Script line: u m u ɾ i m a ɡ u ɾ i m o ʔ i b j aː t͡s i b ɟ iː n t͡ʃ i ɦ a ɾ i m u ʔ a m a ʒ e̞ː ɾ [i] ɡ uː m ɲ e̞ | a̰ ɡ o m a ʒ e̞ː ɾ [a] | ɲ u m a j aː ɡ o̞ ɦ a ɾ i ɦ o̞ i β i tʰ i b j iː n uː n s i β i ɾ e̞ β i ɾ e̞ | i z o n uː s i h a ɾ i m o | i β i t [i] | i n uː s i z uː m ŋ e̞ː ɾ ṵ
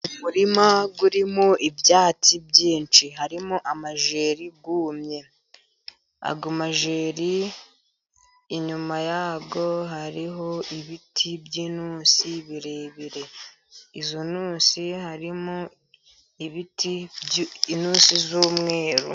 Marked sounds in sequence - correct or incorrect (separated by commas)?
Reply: correct, incorrect, correct